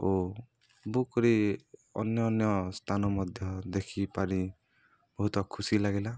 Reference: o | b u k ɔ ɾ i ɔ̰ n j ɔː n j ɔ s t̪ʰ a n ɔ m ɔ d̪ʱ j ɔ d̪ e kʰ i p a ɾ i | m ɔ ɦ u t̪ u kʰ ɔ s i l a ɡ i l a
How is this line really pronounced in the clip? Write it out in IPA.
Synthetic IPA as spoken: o | b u k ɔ ɾ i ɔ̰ n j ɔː n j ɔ s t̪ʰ a n ɔ m ɔ d̪ʱ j ɔ d̪ e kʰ i p a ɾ i | b ɔ ɦ u t̪ ɔ kʰ u s i l a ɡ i l a